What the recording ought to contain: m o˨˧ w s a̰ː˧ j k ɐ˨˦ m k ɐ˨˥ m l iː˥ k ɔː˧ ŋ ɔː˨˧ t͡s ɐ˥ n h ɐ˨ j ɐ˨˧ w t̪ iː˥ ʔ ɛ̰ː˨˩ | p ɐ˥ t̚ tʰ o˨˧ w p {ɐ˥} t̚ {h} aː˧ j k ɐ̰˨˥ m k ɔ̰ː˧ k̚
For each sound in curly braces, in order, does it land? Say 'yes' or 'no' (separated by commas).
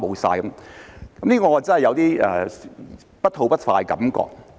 yes, no